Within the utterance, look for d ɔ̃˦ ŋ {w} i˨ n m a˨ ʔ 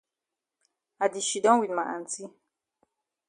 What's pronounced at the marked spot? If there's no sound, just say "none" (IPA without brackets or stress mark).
w